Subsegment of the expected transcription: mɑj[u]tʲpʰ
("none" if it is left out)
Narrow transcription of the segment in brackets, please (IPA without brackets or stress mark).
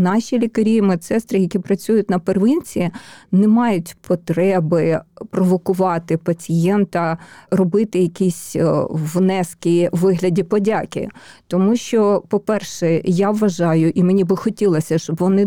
ʊ